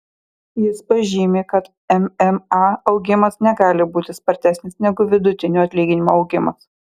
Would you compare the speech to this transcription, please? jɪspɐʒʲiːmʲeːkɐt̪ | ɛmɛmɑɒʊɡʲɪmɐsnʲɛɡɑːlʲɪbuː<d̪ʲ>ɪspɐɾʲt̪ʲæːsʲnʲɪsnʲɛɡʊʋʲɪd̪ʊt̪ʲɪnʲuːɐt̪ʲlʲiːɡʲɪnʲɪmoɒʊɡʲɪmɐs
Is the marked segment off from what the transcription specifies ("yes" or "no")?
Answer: yes